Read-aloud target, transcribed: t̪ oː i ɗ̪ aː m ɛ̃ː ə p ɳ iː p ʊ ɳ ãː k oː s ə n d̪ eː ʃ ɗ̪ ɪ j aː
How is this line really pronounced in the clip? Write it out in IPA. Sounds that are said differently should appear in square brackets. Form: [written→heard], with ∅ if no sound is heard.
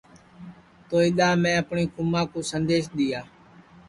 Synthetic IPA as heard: t̪ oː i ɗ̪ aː m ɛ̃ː ə p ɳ iː [p→k] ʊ [ɳ→m] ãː k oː s ə n d̪ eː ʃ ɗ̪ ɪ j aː